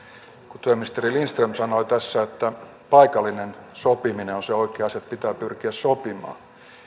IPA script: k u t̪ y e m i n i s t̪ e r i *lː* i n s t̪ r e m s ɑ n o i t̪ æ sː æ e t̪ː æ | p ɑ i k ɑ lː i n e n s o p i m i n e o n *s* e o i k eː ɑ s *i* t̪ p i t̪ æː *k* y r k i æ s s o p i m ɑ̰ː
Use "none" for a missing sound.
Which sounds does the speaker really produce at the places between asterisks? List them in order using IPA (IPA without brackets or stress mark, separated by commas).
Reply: l, s, e, p